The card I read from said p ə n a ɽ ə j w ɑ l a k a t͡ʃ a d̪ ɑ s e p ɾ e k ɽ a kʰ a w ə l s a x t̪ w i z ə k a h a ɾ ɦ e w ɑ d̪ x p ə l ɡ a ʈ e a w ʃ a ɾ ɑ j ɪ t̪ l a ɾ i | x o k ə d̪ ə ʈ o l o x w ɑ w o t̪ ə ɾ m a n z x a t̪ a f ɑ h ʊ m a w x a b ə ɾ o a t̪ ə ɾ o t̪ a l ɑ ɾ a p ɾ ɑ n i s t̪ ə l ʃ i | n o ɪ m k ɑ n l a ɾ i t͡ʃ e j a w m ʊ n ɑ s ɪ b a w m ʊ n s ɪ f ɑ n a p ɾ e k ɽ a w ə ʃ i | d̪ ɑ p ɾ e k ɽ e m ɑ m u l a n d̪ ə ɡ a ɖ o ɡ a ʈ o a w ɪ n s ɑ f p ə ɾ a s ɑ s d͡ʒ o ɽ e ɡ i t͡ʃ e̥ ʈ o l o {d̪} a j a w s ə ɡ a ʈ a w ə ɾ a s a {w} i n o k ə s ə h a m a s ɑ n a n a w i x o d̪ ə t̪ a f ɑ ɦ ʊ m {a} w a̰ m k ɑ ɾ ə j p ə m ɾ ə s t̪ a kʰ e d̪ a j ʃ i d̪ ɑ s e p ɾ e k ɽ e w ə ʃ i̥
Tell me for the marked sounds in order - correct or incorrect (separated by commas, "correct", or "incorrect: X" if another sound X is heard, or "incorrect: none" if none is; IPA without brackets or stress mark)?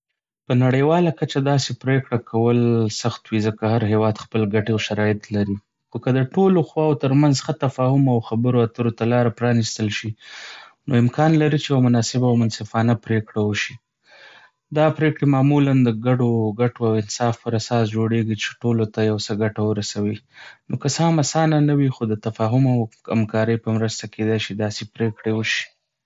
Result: incorrect: t̪, correct, correct